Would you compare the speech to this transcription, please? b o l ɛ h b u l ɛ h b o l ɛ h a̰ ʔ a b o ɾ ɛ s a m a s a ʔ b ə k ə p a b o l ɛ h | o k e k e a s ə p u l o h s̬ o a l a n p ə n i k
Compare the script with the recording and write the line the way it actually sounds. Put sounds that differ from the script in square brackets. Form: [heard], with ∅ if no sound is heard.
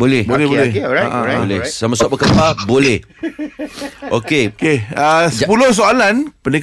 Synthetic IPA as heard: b o l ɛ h b [o] l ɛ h b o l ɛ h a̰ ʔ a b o [l] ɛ s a m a s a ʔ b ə k ə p a b o l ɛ h | o k e k e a s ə p u l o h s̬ o a l a n p ə n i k